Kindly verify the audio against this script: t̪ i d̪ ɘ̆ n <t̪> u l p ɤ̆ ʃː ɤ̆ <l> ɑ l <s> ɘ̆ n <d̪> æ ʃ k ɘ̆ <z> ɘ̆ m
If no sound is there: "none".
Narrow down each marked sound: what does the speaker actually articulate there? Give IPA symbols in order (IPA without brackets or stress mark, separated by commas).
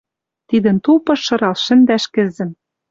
t̪, ɾ, ʃ, d̪, z